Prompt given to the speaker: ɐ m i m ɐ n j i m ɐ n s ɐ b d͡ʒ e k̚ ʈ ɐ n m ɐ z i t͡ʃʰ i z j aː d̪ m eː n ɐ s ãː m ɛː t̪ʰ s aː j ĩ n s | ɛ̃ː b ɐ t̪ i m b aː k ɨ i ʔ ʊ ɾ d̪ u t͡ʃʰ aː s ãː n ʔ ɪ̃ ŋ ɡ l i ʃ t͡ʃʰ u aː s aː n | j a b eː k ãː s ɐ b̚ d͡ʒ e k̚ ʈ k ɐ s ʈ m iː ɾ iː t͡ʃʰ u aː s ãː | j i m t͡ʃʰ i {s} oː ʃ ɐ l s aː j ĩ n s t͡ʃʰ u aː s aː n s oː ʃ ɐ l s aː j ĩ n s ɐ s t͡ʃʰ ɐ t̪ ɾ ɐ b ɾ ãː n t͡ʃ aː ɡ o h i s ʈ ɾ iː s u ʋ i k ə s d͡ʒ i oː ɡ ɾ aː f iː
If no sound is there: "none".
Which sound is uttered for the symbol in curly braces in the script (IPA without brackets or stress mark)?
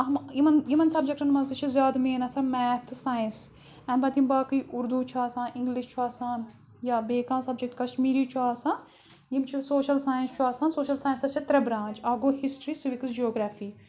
s